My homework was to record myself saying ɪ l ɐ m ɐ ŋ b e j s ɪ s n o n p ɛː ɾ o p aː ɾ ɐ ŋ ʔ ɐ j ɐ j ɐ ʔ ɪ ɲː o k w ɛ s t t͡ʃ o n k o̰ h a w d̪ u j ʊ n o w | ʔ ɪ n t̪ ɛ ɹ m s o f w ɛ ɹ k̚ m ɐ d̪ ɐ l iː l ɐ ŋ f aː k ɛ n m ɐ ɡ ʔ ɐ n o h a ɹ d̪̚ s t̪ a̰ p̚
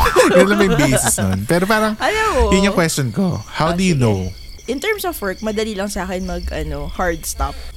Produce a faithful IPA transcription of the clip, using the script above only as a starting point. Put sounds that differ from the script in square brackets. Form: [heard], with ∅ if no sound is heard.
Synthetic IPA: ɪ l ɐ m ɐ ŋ b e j s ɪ s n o n p ɛː ɾ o p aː ɾ ɐ ŋ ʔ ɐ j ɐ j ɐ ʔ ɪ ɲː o k w ɛ s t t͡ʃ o n k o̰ h a w d̪ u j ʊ n o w | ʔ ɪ n t̪ ɛ ɹ m s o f w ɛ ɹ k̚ m ɐ d̪ ɐ l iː l ɐ ŋ [s] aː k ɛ n m ɐ ɡ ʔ ɐ n o h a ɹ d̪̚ s t̪ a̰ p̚